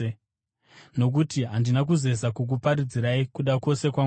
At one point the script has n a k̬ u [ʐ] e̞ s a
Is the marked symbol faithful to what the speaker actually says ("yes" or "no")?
no